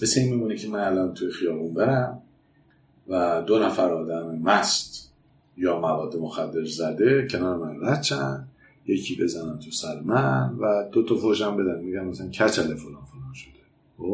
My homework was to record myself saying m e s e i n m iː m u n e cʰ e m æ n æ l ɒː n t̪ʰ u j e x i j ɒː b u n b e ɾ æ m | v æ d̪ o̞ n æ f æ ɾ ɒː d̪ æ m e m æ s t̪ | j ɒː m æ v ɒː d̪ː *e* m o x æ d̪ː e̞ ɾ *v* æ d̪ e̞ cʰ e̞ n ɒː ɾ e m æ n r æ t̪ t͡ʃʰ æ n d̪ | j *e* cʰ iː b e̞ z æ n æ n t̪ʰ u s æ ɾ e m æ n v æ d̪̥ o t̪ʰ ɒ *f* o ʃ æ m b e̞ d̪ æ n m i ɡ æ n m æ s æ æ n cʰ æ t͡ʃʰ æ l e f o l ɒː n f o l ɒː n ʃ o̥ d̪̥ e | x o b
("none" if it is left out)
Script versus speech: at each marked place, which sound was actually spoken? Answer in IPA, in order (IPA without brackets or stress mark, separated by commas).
e, z, e, f